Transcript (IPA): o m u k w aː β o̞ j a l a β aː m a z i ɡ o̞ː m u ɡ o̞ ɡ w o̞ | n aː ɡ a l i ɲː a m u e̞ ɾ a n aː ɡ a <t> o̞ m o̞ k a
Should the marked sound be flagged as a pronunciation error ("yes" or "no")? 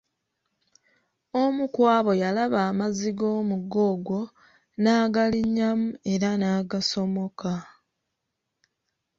yes